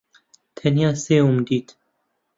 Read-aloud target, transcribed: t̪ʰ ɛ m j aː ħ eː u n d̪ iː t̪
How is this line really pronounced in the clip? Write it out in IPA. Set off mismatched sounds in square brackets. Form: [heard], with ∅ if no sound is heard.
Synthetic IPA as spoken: t̪ʰ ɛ [n] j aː [s] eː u [m] d̪ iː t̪